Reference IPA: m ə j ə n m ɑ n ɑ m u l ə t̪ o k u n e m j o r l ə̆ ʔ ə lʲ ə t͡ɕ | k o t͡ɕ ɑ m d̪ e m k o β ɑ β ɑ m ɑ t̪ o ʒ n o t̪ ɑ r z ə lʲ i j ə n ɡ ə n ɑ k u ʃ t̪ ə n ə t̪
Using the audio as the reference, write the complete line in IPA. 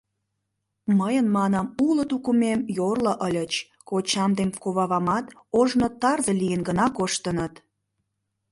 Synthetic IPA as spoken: m ə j ə n m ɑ n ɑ m u l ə t̪ u k u m e m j o r l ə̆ ʔ ə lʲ ə t͡ɕ | k o t͡ɕ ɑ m d̪ e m k o β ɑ β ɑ m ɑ t̪ o ʒ n o t̪ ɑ r z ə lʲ i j ə n ɡ ə n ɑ k o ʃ t̪ ə n ə t̪